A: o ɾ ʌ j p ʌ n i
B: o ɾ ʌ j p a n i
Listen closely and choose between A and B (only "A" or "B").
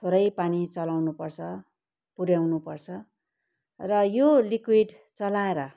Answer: B